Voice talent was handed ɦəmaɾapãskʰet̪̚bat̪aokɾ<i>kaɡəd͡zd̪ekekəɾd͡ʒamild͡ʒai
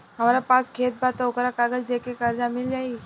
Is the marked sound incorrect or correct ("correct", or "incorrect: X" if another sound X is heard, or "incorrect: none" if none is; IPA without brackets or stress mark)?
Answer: incorrect: a